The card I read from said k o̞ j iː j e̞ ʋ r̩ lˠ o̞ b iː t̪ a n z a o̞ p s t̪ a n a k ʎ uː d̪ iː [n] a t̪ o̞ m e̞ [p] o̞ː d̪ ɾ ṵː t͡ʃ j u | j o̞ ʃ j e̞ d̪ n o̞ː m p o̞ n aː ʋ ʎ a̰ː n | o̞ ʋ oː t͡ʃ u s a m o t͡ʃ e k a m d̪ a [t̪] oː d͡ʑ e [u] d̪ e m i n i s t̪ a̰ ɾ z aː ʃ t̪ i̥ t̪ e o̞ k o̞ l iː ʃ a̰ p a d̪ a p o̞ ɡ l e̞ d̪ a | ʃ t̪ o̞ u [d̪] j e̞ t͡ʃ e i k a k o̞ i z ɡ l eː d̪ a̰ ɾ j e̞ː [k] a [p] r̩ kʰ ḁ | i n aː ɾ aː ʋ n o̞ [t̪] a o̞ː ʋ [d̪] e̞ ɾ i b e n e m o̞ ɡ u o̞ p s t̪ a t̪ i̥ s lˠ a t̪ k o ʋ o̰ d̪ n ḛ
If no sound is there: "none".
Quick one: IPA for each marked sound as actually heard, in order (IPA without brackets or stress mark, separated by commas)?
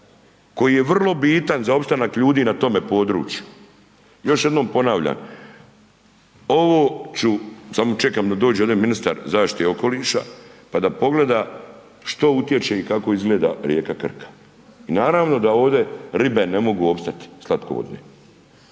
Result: n, p, d̪, o, t̪, k, k, d̪, d̪